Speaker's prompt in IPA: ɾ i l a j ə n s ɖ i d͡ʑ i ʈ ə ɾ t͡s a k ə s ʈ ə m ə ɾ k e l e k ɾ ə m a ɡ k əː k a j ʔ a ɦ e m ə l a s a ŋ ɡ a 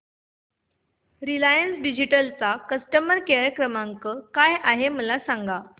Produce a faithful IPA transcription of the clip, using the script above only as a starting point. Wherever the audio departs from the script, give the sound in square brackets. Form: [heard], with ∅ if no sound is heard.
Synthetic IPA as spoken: ɾ i l a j ə n s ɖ i d͡ʑ i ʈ ə [l] t͡s a k ə s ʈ ə m ə ɾ k e [ɭ] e k ɾ ə m a [ŋ] k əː k a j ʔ a ɦ e m ə l a s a ŋ ɡ a